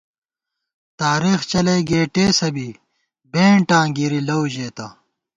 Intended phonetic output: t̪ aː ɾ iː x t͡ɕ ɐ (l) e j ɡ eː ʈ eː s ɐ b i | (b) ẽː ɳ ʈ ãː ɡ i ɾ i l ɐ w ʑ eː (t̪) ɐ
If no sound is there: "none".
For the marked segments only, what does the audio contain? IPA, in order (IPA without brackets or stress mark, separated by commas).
l, b, t̪